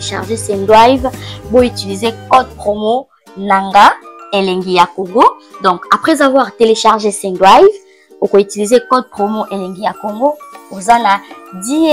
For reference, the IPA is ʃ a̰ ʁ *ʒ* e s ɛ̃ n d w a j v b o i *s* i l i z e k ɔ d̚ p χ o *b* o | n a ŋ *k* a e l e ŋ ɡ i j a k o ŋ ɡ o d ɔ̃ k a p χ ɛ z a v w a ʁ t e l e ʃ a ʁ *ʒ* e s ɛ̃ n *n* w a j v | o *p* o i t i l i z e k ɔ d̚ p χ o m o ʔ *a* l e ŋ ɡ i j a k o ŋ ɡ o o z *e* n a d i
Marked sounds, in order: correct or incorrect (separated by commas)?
correct, incorrect, incorrect, incorrect, correct, incorrect, incorrect, incorrect, incorrect